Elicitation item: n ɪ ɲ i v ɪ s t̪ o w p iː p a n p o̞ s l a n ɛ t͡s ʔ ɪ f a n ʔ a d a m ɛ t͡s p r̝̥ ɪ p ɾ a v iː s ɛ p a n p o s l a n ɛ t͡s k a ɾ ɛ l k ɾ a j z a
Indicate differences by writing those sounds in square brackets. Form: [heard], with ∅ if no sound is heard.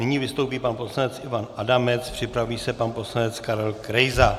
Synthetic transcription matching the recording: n ɪ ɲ i v ɪ s t̪ o w p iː p a n p o̞ s l a n ɛ t͡s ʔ ɪ [v] a n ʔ a d a m ɛ t͡s p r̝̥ ɪ p ɾ a v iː s ɛ p a n p o s l a n ɛ t͡s k a ɾ ɛ l k ɾ [ɛ] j z a